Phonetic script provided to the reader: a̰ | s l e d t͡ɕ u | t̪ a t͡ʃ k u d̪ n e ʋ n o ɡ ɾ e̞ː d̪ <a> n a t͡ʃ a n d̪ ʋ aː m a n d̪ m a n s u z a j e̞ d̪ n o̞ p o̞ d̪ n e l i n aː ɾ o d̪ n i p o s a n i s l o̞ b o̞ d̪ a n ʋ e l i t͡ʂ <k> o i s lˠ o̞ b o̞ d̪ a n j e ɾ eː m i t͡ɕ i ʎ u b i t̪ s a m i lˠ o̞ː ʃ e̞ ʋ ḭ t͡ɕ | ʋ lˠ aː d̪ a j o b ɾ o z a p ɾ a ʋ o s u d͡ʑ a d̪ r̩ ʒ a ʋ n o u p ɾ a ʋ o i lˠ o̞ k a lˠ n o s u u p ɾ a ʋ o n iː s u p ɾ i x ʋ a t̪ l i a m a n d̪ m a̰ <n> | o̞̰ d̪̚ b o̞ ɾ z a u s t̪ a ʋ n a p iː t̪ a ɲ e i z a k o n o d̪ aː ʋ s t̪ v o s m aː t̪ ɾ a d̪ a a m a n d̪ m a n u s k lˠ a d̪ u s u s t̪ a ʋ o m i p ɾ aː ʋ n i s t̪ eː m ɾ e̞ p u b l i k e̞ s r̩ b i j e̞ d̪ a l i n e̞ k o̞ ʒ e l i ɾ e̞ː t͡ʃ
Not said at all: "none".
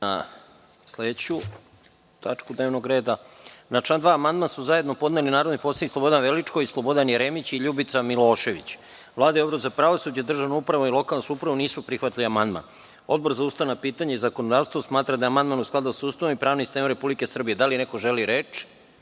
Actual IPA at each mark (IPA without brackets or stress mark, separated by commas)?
a, k, n